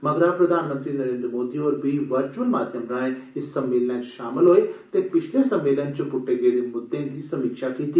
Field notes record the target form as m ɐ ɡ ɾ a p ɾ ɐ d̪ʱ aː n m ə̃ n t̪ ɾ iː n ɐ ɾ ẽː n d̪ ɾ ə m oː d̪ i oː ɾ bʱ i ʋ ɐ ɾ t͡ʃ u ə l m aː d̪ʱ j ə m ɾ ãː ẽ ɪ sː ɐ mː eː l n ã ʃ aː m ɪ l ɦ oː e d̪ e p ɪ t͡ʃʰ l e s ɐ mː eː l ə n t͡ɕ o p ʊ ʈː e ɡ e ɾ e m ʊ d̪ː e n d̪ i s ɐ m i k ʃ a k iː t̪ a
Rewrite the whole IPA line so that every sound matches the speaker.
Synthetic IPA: m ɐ ɡ ɾ a p ɾ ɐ d̪ʱ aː n m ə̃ n t̪ ɾ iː n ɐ ɾ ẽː n d̪ ɾ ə m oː d̪ i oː ɾ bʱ i ʋ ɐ ɾ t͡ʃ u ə l m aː d̪ʱ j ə m ɾ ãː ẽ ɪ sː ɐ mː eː l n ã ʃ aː m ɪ l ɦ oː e t̪ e p ɪ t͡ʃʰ l e s ɐ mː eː l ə n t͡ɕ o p ʊ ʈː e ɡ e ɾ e m ʊ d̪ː e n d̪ i s ɐ m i k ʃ a k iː t̪ i